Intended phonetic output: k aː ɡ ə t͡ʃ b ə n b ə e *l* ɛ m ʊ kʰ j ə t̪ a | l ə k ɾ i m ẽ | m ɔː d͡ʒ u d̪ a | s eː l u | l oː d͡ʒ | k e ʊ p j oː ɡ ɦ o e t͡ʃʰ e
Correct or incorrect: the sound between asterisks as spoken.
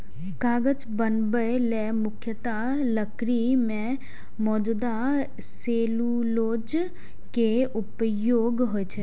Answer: correct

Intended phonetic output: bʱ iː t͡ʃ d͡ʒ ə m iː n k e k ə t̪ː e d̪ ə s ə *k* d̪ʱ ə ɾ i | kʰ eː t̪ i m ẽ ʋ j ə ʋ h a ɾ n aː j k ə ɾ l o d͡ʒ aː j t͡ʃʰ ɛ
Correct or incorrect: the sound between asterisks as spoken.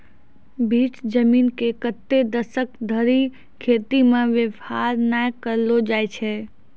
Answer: correct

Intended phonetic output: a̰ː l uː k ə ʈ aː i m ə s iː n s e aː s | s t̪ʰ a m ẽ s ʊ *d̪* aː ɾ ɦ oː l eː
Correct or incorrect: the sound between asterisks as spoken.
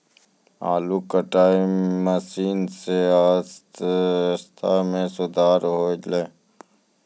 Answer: correct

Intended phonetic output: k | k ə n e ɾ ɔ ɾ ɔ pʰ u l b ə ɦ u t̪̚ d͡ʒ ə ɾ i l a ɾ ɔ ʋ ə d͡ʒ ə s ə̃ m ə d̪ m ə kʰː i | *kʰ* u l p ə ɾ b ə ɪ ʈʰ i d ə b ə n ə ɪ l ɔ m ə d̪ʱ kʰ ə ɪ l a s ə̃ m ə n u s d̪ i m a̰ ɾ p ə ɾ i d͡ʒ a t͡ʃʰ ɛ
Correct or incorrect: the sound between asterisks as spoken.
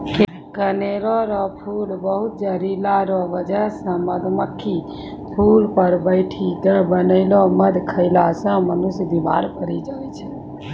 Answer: incorrect: pʰ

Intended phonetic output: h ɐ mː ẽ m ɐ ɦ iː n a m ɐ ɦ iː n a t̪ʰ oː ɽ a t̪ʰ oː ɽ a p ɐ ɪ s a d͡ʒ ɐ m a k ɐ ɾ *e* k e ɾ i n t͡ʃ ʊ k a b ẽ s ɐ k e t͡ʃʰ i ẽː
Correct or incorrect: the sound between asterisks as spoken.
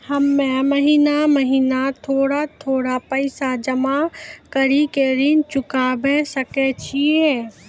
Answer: incorrect: i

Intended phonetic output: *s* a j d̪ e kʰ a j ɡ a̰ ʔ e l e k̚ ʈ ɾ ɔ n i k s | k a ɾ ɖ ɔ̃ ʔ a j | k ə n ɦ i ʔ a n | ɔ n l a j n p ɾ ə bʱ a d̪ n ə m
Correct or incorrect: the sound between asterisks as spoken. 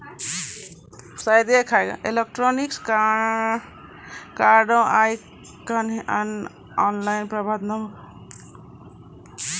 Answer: correct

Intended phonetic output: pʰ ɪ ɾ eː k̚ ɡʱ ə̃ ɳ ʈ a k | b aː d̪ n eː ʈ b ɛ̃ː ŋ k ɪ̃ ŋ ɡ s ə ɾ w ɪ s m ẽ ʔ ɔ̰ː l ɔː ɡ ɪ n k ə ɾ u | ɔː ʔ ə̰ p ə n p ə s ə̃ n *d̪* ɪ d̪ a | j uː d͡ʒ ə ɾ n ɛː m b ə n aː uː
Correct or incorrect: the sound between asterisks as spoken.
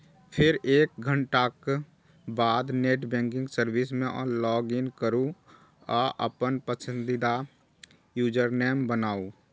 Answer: correct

